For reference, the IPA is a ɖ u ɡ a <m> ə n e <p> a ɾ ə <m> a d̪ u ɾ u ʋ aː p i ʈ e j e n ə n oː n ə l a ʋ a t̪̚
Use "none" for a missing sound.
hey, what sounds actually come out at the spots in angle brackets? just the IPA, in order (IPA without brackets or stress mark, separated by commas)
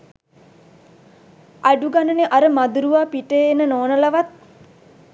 n, ʔ, m